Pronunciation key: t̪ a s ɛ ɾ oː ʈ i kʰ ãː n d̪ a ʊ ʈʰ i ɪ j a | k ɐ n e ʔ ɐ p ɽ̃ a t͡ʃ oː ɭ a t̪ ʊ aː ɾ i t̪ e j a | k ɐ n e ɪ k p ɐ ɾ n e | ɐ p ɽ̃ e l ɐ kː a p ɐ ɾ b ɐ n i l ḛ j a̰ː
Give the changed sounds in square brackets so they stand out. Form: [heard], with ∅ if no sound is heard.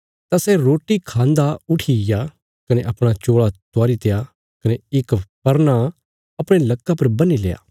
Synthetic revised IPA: t̪ a s ɛ ɾ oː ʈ i kʰ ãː n d̪ a ʊ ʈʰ i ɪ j a | k ɐ n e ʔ ɐ p ɽ̃ a t͡ʃ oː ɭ a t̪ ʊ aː ɾ i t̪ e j a | k ɐ n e ɪ k p ɐ ɾ n [a] | ɐ p ɽ̃ e l ɐ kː a p ɐ ɾ b ɐ n i l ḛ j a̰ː